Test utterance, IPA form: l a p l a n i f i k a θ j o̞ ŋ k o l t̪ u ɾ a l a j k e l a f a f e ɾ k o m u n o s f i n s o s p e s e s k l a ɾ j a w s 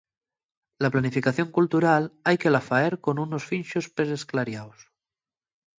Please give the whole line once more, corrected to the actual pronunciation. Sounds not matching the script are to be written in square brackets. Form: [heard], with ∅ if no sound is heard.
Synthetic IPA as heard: l a p l a n i f i k a θ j o̞ ŋ k [u] l t̪ u ɾ a l a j k e l a f a [∅] e ɾ k o [n] u n o s f i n [ʃ] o s p e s e s k l a ɾ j a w s